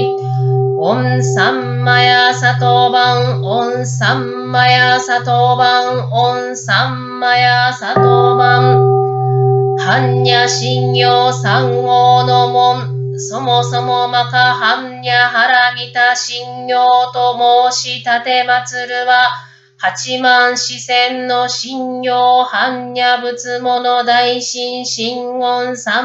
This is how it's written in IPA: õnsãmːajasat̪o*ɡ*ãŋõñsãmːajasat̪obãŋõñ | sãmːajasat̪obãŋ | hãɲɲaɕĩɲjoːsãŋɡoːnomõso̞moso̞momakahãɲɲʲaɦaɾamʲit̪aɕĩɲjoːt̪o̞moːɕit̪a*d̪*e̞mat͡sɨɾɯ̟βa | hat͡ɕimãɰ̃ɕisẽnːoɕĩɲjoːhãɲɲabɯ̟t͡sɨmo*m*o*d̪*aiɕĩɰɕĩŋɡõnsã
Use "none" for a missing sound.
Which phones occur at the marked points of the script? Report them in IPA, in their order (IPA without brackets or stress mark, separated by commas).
b, t̪, n, d̪